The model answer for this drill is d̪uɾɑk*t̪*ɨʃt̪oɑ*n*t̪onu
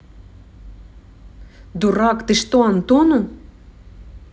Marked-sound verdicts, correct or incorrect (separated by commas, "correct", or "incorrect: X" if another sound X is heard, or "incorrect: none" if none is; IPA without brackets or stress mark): correct, correct